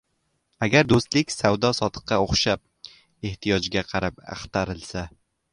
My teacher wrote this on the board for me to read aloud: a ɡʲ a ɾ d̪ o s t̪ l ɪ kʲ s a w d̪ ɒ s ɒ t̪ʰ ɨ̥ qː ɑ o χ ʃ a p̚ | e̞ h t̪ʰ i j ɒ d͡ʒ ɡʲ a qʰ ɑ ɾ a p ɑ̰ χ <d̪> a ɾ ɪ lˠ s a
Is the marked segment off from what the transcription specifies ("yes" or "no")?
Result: yes